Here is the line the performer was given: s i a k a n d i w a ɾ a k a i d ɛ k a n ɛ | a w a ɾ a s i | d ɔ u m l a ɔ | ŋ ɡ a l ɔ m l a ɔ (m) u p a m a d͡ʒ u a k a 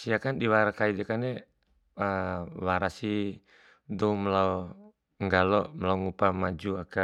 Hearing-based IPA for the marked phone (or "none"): ŋ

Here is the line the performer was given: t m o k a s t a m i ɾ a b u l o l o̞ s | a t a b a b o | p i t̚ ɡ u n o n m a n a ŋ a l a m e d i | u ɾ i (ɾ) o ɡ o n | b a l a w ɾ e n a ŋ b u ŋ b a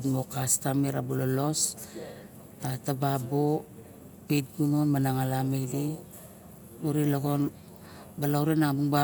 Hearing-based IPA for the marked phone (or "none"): l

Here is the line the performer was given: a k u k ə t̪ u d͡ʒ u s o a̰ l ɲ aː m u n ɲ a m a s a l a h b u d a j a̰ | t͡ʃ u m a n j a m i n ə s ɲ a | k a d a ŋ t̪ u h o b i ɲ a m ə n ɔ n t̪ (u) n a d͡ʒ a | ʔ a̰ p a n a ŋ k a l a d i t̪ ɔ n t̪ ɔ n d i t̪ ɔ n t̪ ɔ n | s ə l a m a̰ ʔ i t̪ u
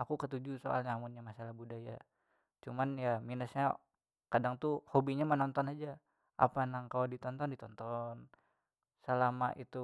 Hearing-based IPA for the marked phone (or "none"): ɔ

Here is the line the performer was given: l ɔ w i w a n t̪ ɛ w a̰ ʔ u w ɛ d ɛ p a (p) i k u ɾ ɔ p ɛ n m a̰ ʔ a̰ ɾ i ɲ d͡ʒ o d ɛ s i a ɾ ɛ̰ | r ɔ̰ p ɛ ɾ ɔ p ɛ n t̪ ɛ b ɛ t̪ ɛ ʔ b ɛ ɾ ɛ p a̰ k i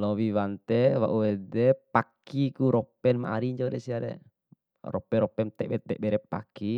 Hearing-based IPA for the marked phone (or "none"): k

